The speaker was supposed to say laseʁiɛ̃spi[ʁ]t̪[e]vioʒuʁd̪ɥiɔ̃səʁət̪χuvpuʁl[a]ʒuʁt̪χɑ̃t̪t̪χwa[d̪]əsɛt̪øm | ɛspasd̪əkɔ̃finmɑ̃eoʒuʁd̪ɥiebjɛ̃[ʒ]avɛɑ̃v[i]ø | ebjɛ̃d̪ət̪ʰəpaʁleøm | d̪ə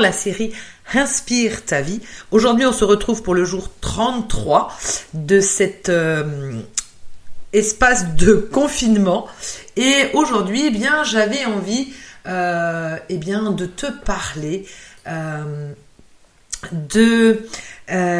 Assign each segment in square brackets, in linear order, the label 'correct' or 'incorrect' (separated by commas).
correct, incorrect, incorrect, correct, correct, correct